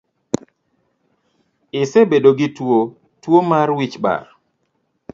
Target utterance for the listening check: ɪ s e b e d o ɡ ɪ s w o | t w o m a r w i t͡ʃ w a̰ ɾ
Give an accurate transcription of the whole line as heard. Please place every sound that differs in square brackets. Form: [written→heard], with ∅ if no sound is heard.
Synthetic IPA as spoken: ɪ s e b e d o ɡ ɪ [s→t] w o | t w o m a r w i t͡ʃ [w→b] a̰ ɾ